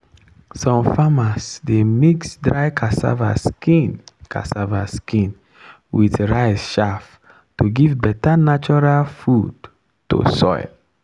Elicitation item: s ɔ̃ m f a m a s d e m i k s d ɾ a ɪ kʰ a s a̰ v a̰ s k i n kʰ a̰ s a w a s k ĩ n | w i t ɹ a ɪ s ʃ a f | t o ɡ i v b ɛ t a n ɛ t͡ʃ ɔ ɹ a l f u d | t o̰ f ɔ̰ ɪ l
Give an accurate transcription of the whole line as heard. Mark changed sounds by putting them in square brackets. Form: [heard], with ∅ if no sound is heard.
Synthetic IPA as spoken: s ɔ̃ m f a m a s d e m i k s d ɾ a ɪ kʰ a s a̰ v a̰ s k i n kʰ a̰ s a [v] a s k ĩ n | w i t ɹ a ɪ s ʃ a f | t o ɡ i v b ɛ t a n [a] t͡ʃ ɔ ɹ a l f u d | t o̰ [s] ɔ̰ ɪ l